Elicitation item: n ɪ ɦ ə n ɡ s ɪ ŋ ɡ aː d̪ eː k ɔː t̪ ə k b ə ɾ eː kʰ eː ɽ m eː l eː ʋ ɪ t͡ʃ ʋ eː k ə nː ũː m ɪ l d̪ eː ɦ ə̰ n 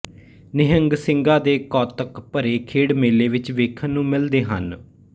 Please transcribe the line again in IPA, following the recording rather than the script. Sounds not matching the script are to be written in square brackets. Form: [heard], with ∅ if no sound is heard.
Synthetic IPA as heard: n ɪ ɦ ə [ŋ] ɡ s ɪ ŋ ɡ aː d̪ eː k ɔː t̪ ə k [p] ə ɾ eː kʰ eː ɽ m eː l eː ʋ ɪ t͡ʃ ʋ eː [kʰ] ə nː ũː m ɪ l d̪ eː ɦ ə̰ n